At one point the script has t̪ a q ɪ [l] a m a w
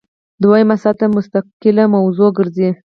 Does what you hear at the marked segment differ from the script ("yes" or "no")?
no